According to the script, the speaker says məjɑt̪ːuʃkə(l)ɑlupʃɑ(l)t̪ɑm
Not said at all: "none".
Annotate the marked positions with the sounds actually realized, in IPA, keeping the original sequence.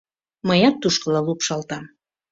l, l

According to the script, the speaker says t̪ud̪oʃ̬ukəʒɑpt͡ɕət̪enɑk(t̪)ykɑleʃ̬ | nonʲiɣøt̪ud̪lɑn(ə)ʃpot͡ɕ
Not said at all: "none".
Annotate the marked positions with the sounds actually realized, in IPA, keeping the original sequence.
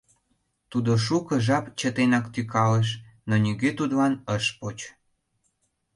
t̪, ə

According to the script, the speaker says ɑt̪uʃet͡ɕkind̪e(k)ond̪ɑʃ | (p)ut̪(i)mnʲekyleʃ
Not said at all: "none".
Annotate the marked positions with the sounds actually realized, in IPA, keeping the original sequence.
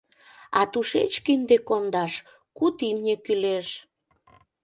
k, k, i

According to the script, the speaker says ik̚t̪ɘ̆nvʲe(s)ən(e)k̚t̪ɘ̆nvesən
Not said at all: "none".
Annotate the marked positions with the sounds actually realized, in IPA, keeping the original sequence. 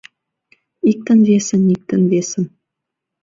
s, i

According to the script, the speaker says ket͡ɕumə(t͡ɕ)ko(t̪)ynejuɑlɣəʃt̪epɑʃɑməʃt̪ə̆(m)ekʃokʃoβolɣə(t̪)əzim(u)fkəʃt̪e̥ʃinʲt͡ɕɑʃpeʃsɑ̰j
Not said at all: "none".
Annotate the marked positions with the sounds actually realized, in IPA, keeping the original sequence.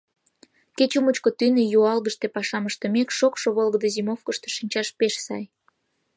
t͡ɕ, t̪, m, d̪, o

